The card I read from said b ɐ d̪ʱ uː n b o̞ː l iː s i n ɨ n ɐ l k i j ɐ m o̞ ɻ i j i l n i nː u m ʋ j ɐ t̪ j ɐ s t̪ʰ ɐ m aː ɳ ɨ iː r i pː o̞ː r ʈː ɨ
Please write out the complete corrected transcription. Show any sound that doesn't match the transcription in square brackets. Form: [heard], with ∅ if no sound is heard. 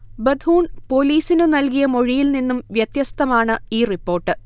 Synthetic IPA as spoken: b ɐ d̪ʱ uː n [p] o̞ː l iː s i n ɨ n ɐ l k i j ɐ m o̞ ɻ i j i l n i nː u m ʋ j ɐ t̪ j ɐ s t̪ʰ ɐ m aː ɳ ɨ iː r i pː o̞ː r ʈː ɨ